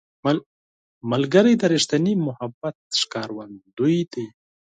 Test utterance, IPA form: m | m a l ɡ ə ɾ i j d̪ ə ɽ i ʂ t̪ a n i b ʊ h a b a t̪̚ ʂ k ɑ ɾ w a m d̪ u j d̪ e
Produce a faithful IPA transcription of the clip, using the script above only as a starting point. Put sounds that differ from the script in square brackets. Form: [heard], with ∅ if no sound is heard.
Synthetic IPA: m | m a l ɡ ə ɾ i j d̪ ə [ɾ] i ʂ t̪ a n i [m] ʊ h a b a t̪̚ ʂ k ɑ ɾ w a [n] d̪ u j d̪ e